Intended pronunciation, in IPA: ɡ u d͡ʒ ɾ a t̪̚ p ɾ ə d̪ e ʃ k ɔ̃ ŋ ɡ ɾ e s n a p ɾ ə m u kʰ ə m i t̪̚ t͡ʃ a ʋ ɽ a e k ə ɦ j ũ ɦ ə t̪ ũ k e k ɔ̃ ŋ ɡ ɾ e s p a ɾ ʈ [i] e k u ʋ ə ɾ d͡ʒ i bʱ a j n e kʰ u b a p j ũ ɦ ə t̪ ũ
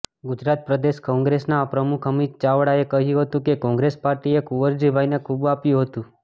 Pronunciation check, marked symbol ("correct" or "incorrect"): correct